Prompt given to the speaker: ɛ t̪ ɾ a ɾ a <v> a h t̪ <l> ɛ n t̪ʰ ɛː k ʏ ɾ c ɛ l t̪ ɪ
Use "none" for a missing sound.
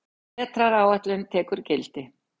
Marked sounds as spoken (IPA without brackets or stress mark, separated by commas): w, l